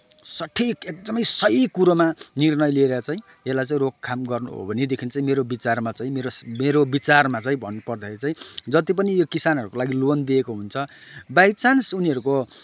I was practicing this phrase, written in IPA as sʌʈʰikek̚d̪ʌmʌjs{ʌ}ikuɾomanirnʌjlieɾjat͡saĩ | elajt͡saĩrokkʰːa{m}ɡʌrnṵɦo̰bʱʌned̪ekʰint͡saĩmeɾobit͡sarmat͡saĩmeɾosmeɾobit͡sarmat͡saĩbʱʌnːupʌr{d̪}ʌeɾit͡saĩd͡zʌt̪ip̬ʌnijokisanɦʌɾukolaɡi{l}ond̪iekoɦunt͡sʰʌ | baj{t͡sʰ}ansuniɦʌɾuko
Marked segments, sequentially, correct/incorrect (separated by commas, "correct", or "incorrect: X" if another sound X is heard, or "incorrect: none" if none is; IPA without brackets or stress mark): correct, correct, correct, correct, incorrect: t͡s